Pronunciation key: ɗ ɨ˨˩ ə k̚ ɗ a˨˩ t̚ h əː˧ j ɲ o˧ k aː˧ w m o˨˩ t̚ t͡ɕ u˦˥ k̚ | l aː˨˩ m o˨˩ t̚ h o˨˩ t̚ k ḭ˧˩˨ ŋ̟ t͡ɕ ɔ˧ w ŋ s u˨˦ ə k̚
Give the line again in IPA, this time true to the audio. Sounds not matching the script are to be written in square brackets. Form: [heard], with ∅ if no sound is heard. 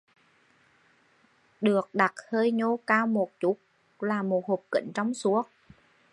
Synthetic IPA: ɗ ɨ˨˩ ə k̚ ɗ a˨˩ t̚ h əː˧ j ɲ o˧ k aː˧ w m o˨˩ t̚ t͡ɕ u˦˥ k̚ | l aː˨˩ m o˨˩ t̚ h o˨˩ [p̚] k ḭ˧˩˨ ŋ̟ t͡ɕ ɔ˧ w [ŋ͡m] s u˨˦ ə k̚